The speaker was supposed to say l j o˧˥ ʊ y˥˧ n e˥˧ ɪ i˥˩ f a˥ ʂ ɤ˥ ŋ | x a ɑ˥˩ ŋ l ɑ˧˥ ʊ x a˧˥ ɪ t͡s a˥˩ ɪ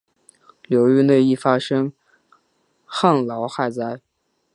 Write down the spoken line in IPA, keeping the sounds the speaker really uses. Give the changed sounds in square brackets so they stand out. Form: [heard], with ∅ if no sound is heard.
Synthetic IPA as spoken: l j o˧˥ ʊ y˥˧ n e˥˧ ɪ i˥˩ f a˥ ʂ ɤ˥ ŋ | x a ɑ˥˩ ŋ l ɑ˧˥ ʊ x [a˥˧] ɪ t͡s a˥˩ ɪ